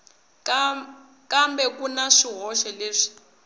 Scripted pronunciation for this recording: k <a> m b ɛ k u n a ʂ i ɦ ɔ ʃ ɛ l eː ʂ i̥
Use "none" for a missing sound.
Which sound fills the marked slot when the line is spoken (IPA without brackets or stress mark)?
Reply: a